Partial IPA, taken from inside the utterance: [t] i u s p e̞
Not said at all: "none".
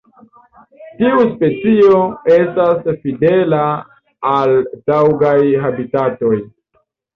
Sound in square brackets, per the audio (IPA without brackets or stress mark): t